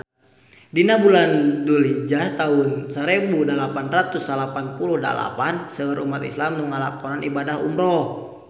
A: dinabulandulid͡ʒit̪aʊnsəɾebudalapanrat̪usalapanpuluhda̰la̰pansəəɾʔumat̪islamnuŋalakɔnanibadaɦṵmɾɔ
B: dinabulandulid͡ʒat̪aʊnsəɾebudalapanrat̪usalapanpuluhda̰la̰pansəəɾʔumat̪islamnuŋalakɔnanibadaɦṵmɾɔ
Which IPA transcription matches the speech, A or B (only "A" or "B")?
B